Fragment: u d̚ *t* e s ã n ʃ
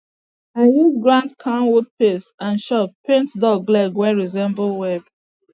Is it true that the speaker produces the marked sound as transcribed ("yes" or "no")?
no